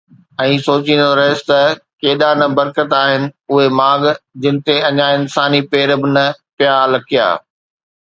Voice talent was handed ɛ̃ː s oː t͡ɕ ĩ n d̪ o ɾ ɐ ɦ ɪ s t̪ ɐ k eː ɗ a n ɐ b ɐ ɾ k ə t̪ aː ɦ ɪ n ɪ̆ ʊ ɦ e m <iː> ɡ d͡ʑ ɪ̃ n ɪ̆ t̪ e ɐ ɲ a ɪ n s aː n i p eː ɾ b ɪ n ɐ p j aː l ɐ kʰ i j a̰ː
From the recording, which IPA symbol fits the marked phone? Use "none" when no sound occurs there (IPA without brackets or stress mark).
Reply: aː